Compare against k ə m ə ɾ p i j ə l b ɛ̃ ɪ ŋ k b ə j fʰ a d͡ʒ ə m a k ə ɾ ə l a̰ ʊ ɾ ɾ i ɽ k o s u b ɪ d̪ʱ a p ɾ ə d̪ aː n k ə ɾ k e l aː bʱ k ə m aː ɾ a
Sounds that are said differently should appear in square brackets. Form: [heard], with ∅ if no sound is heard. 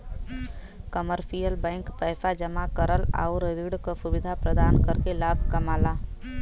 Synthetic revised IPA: k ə m ə ɾ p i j ə l b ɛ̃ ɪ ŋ k [p] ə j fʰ a d͡ʒ ə m a k ə ɾ ə l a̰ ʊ ɾ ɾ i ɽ k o s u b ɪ d̪ʱ a p ɾ ə d̪ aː n k ə ɾ k e l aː bʱ k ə m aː [l] a